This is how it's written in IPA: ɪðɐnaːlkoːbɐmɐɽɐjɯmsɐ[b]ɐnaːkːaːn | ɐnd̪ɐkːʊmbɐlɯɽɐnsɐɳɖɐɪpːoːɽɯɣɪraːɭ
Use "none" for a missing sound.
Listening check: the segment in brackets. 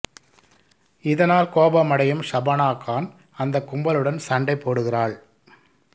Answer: b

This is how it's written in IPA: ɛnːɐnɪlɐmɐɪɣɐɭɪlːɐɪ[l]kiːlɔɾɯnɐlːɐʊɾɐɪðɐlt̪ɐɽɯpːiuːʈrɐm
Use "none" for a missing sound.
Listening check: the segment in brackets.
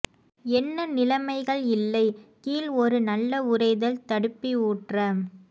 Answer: none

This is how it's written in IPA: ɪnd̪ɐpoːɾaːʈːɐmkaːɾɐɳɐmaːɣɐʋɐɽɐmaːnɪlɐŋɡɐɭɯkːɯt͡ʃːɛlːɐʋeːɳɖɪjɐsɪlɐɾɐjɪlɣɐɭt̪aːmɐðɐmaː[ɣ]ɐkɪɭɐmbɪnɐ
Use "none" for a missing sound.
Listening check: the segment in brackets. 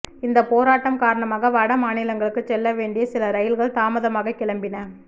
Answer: ɣ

